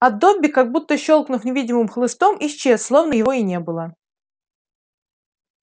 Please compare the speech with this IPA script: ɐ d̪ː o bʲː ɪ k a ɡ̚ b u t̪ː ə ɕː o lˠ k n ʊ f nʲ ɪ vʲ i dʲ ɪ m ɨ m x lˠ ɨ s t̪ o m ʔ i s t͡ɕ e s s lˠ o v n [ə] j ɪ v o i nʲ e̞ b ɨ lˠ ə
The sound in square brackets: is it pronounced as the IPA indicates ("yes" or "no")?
yes